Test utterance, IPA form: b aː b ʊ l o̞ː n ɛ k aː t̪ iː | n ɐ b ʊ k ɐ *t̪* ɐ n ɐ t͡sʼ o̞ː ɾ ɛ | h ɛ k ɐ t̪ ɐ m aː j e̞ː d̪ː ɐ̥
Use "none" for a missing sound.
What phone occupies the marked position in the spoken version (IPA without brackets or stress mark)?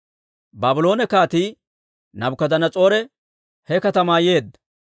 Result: d̪